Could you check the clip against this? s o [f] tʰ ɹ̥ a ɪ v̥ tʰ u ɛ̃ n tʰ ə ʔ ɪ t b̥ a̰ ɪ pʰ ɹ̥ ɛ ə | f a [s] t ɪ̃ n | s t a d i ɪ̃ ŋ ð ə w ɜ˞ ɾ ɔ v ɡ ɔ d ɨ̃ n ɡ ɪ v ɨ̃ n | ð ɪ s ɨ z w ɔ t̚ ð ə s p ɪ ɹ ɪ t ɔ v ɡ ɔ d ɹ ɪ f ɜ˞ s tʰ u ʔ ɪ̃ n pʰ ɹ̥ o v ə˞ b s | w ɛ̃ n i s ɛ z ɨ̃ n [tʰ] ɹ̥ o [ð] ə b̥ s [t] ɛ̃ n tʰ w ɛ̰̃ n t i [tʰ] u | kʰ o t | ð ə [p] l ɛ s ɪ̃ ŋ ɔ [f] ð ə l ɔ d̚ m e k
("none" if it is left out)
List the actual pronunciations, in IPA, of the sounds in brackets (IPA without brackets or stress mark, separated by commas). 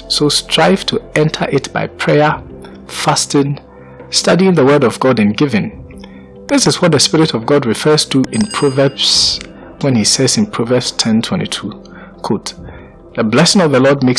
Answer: s, s, pʰ, v, tʰ, tʰ, b, v